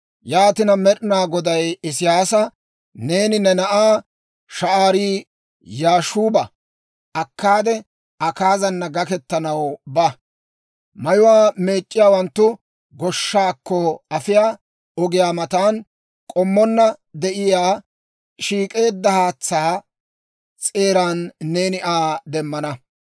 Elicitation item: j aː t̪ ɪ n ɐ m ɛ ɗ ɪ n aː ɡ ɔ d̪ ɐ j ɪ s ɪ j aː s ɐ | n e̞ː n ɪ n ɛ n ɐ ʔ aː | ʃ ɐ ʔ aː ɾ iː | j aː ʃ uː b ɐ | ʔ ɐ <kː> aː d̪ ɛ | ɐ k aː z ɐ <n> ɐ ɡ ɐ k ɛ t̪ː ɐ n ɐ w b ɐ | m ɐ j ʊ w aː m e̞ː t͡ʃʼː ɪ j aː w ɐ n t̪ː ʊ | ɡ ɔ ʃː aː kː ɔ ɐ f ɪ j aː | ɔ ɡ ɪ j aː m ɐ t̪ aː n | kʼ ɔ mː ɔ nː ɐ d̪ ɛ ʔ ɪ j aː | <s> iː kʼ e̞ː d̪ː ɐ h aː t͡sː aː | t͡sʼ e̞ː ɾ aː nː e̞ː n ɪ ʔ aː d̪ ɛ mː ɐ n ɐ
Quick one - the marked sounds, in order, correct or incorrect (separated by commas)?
correct, incorrect, incorrect